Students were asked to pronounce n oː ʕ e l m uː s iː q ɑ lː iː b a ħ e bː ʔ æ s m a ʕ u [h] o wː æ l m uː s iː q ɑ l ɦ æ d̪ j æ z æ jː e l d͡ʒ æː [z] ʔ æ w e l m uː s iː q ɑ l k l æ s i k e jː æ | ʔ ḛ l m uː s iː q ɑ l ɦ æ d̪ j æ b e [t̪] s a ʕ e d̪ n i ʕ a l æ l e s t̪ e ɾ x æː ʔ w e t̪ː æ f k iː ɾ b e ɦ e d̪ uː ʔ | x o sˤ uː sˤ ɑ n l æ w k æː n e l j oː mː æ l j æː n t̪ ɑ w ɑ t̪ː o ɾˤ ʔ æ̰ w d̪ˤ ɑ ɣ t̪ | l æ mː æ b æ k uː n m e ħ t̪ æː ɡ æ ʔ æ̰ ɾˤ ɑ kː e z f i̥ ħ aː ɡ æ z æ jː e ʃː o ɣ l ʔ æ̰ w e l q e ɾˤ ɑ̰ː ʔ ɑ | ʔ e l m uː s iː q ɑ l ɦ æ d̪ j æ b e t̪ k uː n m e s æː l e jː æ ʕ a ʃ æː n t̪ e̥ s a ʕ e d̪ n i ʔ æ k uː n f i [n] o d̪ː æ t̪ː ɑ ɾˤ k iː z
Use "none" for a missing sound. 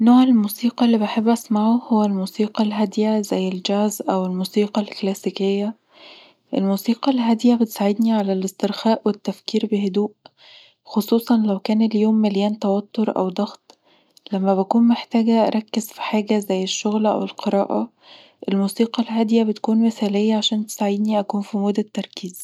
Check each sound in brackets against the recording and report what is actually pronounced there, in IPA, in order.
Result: h, z, t̪, m

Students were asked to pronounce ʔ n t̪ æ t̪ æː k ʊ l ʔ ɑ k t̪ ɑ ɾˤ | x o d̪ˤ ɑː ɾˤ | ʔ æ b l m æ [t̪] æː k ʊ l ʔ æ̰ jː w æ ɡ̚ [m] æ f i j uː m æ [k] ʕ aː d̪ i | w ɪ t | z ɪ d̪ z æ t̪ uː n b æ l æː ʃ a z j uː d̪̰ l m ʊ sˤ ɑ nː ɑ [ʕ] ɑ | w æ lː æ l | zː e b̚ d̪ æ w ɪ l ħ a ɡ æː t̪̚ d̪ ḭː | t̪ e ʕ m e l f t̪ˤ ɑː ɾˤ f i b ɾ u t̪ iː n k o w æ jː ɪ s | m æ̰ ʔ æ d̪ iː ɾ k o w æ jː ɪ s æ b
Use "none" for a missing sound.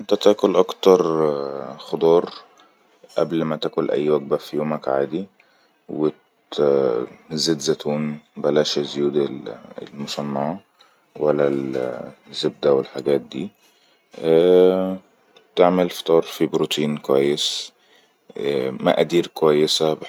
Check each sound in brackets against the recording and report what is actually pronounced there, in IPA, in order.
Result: t̪, b, k, ʕ

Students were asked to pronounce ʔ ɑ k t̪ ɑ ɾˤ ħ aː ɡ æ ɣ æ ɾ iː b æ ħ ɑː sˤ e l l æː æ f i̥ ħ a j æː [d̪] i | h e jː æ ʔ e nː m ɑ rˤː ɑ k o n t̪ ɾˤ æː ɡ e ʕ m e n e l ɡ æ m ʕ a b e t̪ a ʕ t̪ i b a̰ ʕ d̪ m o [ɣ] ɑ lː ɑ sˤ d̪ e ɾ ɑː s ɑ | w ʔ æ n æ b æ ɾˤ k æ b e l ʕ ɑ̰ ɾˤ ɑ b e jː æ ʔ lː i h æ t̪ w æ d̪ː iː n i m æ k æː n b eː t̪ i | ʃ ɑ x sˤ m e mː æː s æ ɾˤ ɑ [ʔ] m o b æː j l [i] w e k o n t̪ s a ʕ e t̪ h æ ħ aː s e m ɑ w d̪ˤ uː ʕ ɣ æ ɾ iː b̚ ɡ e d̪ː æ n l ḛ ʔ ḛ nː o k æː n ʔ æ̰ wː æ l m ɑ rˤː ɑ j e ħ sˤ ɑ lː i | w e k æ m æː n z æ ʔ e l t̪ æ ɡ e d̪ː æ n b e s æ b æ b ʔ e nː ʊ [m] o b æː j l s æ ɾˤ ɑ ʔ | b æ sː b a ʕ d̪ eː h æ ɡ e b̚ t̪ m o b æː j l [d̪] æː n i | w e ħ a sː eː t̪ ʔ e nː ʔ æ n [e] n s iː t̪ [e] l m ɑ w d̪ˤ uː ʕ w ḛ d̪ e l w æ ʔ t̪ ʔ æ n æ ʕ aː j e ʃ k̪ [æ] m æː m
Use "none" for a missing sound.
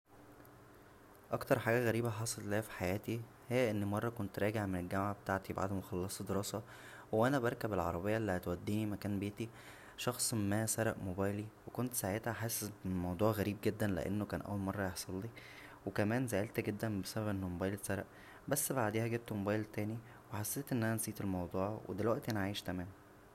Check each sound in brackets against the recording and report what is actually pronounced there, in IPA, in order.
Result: t̪, x, ʔ, i, m, t̪, æ, e, æ

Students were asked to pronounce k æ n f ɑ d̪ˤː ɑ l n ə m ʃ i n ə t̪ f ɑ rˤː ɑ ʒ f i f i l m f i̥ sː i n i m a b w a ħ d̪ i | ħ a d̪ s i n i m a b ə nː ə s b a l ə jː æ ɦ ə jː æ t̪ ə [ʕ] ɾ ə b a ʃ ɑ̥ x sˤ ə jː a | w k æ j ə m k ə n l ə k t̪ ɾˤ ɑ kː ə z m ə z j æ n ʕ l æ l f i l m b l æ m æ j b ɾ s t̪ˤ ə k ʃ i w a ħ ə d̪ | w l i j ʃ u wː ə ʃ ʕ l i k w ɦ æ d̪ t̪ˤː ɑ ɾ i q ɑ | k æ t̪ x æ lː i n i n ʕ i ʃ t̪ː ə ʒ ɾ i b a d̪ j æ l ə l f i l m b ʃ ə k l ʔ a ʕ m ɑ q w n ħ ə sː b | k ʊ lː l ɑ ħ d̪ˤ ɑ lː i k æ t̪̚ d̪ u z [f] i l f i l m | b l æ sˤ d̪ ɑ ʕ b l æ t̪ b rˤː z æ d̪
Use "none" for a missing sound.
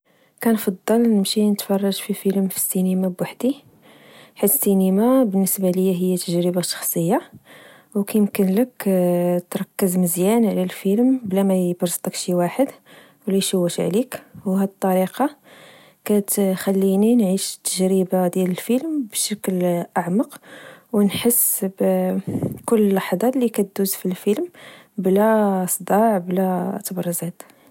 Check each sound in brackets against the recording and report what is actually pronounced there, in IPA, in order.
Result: ʒ, f

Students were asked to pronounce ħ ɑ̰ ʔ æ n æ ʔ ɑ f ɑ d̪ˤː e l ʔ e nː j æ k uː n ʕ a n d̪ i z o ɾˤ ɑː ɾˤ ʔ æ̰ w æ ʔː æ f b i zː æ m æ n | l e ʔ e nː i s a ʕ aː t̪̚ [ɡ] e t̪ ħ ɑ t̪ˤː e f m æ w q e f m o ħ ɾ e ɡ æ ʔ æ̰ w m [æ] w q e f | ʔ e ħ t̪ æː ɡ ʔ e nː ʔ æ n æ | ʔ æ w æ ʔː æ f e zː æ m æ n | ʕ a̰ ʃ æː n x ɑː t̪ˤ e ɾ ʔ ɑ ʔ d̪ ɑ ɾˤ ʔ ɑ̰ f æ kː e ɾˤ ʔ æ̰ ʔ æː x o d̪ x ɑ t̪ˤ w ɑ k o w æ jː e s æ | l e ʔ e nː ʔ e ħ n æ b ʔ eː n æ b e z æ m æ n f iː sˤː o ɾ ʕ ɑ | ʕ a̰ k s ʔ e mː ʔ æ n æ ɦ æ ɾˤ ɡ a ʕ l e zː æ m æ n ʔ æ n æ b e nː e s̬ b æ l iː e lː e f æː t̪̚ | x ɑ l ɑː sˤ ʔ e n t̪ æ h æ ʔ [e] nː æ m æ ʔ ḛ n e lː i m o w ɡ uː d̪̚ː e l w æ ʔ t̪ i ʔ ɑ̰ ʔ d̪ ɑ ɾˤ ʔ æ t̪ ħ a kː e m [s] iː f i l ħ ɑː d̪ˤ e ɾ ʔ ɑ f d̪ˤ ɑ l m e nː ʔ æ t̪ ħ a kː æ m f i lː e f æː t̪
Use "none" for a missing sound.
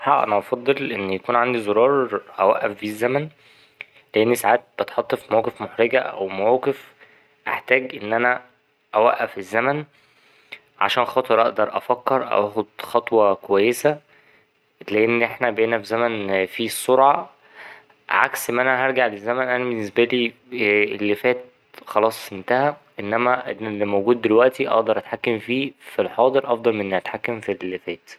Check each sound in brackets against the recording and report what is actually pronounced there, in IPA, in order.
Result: b, æ, e, f

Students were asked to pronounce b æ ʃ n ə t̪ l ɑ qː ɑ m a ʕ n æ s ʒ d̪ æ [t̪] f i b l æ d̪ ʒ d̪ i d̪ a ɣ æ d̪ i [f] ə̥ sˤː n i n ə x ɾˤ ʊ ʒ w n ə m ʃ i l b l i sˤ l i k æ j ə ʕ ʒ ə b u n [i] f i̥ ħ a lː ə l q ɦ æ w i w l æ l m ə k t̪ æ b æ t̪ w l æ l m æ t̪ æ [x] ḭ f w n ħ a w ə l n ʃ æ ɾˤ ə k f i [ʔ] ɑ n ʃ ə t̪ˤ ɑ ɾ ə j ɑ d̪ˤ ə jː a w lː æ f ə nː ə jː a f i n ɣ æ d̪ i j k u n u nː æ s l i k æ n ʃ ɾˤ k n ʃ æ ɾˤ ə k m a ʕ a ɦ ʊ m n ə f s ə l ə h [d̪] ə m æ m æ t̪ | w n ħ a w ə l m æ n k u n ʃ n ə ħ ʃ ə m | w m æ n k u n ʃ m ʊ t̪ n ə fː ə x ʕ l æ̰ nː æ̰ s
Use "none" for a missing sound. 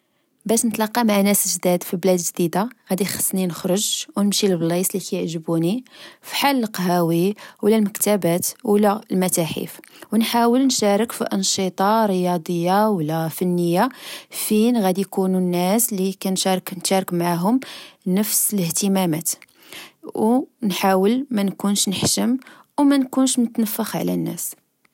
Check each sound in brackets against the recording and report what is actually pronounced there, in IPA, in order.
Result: d̪, x, i, ħ, ʔ, t̪

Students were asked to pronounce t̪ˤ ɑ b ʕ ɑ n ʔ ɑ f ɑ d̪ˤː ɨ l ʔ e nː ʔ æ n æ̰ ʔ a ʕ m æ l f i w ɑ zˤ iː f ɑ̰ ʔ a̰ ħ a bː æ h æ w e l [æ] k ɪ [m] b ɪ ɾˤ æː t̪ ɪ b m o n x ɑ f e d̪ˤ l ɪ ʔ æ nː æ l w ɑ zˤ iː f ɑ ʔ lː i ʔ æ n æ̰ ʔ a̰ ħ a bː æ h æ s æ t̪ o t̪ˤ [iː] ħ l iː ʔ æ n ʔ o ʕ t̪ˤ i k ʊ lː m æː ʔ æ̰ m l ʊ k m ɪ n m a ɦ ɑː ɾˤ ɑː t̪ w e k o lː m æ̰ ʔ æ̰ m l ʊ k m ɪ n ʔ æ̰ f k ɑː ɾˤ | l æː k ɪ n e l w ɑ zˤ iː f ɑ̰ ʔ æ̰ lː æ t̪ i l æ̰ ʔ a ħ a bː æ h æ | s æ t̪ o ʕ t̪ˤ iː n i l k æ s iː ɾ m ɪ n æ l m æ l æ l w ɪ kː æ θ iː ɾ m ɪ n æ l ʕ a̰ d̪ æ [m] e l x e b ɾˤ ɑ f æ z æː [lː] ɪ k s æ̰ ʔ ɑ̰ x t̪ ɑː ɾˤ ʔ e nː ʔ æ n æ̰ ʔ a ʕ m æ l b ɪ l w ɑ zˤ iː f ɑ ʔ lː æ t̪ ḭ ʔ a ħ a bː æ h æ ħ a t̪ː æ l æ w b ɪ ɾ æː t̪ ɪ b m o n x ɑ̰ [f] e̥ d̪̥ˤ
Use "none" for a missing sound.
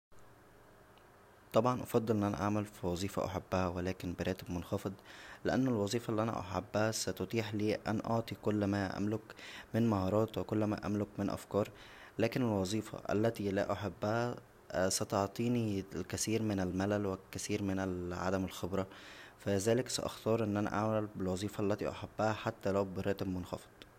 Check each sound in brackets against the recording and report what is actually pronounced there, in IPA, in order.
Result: æː, n, iː, m, l, f

